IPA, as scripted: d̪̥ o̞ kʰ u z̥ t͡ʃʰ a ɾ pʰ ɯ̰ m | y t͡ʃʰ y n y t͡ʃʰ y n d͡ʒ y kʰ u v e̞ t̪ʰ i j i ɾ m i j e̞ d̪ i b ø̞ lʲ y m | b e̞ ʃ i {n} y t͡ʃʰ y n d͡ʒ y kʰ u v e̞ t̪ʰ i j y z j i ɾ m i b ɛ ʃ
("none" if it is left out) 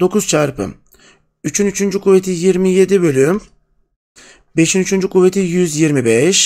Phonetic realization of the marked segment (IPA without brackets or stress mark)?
n